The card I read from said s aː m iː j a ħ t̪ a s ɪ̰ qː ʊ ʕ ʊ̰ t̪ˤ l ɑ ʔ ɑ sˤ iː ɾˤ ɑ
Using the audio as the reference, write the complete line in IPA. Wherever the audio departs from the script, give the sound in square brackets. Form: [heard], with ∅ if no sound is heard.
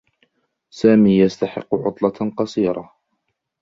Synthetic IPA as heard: s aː m iː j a [s] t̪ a [ħ] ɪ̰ qː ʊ ʕ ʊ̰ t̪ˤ l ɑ [q] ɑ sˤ iː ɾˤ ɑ